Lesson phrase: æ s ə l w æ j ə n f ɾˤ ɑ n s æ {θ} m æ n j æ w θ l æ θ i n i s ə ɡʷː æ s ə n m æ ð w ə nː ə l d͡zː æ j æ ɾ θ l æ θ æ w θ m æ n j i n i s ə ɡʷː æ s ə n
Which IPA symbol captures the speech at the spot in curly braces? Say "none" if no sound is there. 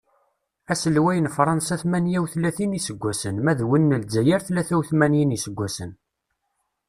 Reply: θ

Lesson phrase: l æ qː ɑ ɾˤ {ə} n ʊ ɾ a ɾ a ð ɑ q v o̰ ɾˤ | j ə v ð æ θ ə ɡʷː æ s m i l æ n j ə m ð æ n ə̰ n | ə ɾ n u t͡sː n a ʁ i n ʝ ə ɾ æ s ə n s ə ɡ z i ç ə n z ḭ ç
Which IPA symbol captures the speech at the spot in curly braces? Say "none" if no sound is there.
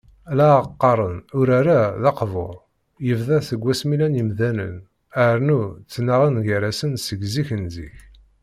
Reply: ə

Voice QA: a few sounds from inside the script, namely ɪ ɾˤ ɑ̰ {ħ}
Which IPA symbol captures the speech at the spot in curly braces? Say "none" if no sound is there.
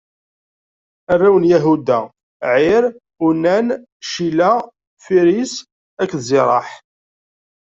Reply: ħ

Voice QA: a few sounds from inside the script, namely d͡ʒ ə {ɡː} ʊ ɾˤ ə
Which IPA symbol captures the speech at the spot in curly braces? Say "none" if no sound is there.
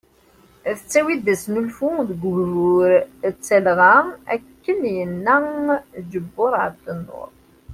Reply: bː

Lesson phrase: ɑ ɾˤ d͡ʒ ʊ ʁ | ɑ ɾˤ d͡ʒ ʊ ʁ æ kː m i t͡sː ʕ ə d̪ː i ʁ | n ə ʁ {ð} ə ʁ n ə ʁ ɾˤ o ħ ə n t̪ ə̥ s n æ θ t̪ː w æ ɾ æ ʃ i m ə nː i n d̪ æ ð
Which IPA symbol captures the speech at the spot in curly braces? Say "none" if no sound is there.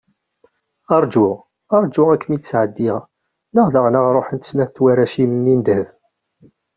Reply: ð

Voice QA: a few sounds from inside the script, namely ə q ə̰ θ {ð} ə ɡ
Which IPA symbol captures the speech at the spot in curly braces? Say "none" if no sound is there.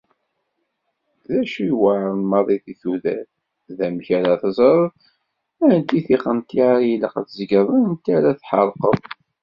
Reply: z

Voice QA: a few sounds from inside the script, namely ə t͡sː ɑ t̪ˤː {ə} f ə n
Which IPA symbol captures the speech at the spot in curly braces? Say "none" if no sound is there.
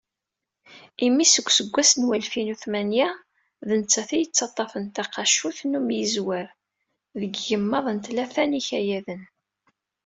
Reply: ɑ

